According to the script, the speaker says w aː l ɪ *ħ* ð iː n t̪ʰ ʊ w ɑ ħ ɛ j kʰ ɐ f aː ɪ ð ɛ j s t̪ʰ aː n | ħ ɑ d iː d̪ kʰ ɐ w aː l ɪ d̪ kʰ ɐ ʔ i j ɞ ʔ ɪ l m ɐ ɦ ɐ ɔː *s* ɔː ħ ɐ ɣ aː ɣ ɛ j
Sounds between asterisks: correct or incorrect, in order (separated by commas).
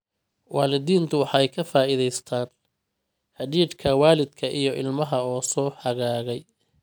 incorrect, correct